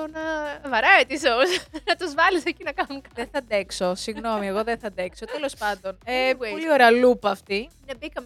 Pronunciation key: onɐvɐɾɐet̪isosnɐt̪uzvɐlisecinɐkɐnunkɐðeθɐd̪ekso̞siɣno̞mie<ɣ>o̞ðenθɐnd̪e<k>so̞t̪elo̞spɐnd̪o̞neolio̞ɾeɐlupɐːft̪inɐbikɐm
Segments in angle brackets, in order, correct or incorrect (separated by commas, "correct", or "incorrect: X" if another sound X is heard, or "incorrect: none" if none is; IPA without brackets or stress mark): correct, correct